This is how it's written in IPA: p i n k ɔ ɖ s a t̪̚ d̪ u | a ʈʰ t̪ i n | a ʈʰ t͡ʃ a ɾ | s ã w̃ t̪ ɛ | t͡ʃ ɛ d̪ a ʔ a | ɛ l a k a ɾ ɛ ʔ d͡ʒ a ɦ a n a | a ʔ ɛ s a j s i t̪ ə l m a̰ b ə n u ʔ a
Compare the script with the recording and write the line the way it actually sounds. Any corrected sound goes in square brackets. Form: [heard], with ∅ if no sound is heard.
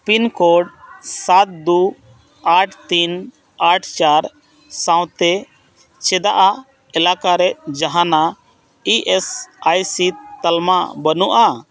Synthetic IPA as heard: p i n k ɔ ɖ s a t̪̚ d̪ u | a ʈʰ t̪ i n | a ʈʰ t͡ʃ a ɾ | s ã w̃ t̪ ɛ | t͡ʃ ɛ d̪ a ʔ a | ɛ l a k a ɾ ɛ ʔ d͡ʒ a ɦ a n a | [i] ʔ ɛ s a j s i t̪ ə l m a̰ b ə n u ʔ a